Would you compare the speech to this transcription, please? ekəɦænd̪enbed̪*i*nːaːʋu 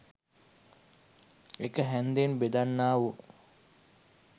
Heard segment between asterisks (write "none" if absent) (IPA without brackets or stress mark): a